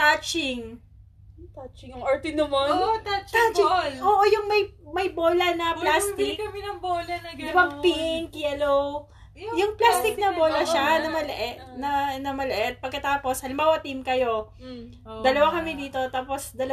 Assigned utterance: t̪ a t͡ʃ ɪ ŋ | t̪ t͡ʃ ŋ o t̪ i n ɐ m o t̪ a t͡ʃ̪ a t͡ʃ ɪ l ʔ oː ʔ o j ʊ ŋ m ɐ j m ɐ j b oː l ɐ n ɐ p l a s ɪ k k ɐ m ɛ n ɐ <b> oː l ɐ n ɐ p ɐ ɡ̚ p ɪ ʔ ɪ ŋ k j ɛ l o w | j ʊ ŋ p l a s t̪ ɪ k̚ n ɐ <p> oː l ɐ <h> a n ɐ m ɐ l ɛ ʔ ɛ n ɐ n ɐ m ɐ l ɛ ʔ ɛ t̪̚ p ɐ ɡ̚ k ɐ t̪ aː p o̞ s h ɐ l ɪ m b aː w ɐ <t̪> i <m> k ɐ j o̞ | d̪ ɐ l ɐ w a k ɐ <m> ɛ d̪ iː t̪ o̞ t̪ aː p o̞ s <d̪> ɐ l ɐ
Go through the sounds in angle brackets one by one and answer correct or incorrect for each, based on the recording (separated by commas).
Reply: correct, incorrect, incorrect, correct, correct, correct, correct